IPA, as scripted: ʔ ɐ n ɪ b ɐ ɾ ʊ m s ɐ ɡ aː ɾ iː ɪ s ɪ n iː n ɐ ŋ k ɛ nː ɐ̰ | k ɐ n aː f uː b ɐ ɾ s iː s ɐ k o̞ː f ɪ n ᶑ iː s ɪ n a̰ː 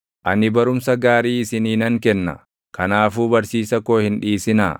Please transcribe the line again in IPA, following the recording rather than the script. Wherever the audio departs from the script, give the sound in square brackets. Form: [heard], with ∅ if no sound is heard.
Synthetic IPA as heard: ʔ ɐ n ɪ b ɐ ɾ ʊ m s ɐ ɡ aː ɾ iː ɪ s ɪ n iː n ɐ ŋ k ɛ nː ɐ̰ | k ɐ n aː f uː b ɐ ɾ s iː s ɐ k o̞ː [h] ɪ n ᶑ iː s ɪ n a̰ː